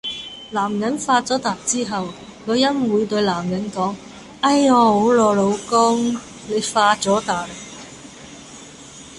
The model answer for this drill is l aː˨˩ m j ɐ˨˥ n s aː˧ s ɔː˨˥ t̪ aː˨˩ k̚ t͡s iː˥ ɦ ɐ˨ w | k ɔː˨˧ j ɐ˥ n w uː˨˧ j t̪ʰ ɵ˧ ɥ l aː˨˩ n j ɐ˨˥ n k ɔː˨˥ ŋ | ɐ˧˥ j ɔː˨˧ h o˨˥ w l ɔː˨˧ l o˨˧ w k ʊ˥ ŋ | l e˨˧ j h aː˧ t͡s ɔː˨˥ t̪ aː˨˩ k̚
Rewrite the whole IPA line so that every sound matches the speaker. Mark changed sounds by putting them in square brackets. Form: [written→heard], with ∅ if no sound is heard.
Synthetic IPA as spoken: l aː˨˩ m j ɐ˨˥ n [s→f] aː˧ [s→t͡s] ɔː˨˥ t̪ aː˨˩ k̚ t͡s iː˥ ɦ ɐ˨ w | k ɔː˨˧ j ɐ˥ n w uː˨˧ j [t̪ʰ→t̪] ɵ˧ ɥ l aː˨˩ [n→m] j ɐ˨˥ n k ɔː˨˥ ŋ | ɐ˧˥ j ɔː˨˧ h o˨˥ w l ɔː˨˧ l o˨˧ w k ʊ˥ ŋ | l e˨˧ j [h→f] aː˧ t͡s ɔː˨˥ t̪ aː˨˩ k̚